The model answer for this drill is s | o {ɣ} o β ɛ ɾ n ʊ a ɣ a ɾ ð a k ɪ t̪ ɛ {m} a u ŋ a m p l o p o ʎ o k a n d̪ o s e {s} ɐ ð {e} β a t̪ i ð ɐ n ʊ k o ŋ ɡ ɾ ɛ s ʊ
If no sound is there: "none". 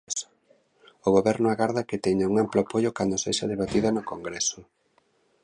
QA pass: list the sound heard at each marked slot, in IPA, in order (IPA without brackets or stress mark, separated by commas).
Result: ɣ, ɲ, ʃ, e